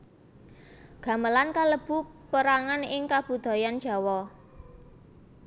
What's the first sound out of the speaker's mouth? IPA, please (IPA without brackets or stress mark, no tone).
ɡ̥